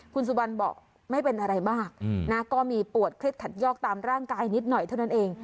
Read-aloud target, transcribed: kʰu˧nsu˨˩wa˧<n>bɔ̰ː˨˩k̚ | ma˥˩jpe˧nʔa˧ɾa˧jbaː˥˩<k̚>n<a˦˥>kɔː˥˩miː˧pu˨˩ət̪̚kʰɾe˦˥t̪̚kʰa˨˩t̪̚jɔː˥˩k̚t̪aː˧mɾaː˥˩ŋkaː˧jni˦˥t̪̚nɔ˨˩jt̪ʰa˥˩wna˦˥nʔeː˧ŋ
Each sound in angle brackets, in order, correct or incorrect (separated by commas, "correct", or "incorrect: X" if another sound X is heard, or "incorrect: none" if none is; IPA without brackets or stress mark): correct, correct, correct